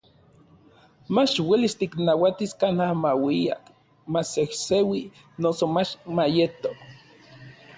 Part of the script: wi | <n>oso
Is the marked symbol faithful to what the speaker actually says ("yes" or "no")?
yes